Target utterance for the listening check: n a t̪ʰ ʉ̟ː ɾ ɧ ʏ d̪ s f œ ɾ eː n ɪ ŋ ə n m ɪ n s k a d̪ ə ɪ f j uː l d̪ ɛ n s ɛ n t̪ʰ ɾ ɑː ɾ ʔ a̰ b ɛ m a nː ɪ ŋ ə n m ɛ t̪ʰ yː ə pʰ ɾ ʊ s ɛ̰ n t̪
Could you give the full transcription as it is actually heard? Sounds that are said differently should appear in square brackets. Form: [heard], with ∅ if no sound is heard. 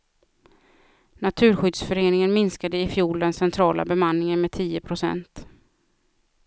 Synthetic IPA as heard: n a t̪ʰ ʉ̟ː ɾ ɧ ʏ d̪ s f œ ɾ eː n ɪ ŋ ə n m ɪ n s k a d̪ ə ɪ f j uː l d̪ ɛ n s ɛ n t̪ʰ ɾ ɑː [l] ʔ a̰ b ɛ m a nː ɪ ŋ ə n m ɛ t̪ʰ [iː] ə pʰ ɾ ʊ s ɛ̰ n t̪